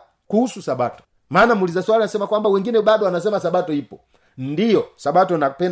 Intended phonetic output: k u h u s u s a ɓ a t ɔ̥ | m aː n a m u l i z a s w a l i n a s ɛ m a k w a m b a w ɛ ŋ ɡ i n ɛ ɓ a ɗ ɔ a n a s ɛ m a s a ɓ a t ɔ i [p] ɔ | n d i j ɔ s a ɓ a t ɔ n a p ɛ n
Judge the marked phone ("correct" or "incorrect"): correct